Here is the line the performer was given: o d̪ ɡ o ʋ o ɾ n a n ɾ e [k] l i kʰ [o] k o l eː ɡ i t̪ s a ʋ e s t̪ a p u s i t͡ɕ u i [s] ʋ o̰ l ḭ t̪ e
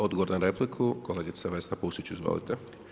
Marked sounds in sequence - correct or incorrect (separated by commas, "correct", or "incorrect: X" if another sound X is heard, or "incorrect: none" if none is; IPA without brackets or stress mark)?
incorrect: p, incorrect: u, incorrect: z